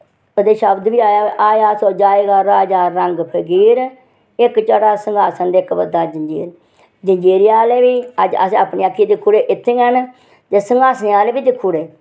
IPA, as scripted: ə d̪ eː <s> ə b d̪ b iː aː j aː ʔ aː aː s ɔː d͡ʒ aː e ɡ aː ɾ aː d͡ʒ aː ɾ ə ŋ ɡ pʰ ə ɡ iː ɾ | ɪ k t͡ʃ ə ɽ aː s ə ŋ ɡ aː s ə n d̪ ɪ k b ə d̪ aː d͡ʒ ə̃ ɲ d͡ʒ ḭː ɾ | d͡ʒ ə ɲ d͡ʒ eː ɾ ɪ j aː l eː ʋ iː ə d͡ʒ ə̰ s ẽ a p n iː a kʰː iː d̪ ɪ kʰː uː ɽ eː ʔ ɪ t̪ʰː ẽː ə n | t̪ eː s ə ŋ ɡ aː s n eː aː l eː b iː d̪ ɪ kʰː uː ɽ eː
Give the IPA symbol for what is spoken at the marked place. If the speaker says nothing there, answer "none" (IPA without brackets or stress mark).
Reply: ʃ